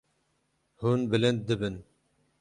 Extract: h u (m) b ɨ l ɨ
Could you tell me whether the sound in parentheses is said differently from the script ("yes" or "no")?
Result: yes